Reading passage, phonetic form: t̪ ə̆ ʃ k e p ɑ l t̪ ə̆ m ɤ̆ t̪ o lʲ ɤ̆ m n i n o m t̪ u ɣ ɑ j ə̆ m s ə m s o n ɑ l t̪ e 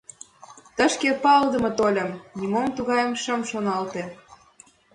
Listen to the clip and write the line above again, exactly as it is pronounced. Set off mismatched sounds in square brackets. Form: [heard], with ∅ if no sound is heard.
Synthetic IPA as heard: t̪ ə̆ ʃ k e p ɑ l [d̪] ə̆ m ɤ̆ t̪ o lʲ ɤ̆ m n i [m] o m t̪ u ɣ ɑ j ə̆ m [ʃ] ə m [ʃ] o n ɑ l t̪ e